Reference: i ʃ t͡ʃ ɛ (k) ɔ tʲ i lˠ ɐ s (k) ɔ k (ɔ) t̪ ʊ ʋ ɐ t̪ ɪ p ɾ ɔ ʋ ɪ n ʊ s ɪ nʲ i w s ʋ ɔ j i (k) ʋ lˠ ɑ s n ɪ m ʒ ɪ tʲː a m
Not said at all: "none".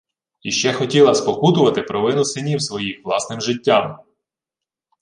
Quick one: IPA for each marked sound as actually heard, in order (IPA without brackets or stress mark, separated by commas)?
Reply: x, p, u, x